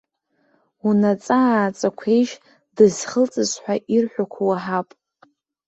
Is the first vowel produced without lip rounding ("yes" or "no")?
no